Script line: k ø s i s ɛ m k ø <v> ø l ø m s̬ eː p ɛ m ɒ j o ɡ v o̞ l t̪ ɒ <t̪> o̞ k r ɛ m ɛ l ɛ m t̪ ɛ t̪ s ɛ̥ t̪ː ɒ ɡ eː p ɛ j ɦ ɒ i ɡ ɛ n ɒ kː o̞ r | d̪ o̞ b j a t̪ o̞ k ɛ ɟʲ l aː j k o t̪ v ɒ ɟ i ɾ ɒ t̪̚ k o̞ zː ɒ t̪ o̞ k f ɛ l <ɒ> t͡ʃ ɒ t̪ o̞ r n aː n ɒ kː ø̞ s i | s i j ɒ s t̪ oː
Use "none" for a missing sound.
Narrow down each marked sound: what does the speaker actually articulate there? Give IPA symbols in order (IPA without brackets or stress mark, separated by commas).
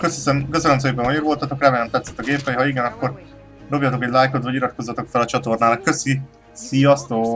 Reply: z, t̪, ɒ